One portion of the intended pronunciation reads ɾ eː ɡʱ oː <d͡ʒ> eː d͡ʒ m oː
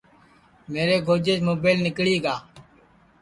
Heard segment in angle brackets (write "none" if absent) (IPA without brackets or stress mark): d͡ʒ